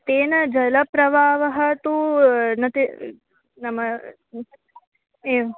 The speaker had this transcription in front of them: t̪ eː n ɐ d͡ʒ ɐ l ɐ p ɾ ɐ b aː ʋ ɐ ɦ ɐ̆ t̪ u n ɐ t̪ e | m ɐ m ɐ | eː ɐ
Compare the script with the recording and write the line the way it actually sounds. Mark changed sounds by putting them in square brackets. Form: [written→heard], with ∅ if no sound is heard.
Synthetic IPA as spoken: t̪ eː n ɐ d͡ʒ ɐ l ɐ p ɾ ɐ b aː ʋ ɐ ɦ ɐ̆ t̪ u n ɐ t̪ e | [m→n] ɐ m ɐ | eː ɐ